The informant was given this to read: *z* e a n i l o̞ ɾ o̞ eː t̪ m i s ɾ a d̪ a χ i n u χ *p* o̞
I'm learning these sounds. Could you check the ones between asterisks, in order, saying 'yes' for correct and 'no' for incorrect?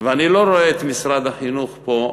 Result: no, yes

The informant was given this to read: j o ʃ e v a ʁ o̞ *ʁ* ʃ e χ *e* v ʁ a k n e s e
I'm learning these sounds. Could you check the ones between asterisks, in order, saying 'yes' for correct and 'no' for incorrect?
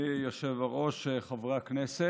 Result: no, no

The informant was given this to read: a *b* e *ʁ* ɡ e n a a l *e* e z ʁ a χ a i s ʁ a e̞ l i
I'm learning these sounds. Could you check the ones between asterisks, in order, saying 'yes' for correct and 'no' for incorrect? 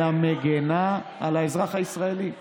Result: no, no, no

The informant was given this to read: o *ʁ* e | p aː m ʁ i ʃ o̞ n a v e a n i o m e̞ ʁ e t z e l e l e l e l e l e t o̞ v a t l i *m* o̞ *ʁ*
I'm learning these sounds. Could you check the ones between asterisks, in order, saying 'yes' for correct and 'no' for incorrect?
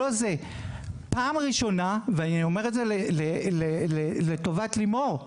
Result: no, yes, yes

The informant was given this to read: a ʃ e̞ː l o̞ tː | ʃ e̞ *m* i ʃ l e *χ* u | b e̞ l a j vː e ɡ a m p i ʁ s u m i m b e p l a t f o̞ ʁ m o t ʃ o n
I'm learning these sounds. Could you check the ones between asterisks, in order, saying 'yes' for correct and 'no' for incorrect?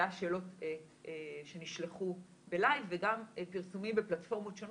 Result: no, yes

